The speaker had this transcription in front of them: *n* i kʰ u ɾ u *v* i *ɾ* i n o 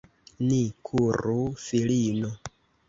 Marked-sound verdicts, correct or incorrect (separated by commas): correct, incorrect, incorrect